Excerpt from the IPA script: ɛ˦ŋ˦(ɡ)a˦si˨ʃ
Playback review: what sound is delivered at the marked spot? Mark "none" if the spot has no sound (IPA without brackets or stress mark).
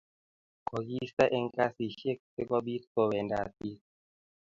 k